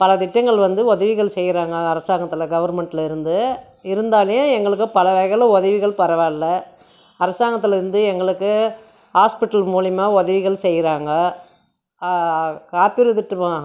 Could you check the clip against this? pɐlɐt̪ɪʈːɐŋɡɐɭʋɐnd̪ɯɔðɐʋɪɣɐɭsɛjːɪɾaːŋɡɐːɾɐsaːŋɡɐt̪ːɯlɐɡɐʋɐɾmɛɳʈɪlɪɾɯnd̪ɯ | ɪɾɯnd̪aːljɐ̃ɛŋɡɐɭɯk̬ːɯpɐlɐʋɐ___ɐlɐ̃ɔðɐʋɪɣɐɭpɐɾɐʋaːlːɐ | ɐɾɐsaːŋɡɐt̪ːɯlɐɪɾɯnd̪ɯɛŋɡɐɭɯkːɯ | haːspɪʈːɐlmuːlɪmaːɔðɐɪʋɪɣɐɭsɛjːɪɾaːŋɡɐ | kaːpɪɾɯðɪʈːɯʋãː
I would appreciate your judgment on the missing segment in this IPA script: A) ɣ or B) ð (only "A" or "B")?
A